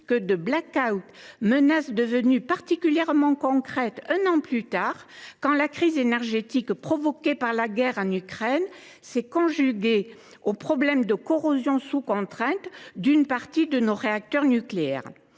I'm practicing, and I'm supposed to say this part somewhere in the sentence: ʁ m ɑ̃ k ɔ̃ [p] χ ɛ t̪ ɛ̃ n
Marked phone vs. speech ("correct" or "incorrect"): incorrect